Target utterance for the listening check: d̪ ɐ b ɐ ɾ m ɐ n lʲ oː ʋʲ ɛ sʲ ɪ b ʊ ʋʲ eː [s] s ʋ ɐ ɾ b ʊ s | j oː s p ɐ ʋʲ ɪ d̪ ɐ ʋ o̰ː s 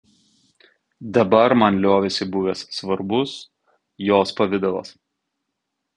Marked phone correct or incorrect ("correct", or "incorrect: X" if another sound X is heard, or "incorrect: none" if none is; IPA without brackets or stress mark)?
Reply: correct